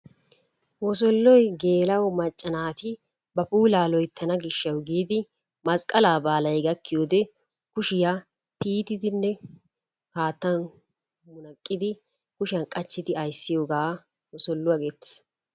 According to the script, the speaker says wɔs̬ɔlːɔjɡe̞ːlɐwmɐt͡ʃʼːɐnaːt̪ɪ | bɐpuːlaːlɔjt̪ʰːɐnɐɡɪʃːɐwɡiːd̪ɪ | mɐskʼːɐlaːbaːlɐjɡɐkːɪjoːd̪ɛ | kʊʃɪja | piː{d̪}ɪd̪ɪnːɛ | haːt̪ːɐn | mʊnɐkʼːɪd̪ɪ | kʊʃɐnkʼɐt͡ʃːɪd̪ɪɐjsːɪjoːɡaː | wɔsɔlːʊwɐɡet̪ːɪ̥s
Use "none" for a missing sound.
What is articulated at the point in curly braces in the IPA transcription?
t̪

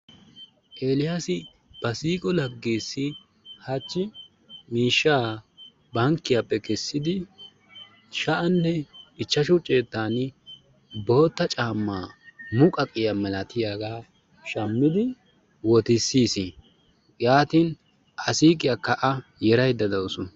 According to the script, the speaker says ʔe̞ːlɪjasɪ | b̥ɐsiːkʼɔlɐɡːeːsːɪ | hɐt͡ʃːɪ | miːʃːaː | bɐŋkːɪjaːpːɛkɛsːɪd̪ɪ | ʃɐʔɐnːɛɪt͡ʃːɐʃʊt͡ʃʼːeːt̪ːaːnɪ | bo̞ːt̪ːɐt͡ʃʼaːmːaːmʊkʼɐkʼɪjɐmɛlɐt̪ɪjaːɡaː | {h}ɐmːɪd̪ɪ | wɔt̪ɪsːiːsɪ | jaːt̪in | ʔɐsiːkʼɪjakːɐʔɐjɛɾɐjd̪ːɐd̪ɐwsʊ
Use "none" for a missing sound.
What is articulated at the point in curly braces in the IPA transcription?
ʃ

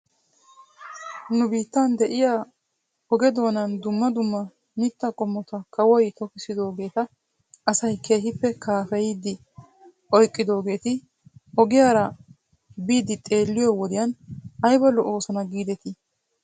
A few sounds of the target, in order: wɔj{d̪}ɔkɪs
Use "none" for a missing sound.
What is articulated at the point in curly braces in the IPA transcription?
t̪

